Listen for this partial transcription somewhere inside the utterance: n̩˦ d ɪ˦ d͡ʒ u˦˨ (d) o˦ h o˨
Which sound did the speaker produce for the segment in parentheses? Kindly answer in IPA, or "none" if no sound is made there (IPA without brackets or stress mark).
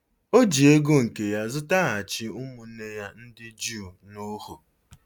n